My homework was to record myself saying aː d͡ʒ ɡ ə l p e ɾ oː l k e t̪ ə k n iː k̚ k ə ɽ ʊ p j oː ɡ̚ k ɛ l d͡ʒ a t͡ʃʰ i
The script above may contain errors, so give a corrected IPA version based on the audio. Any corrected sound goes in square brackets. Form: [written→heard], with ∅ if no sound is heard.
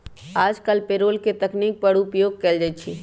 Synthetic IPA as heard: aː d͡ʒ [ɡ→k] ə l p e ɾ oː l k e t̪ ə k n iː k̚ [k→p] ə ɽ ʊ p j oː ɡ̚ k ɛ l d͡ʒ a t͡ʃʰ i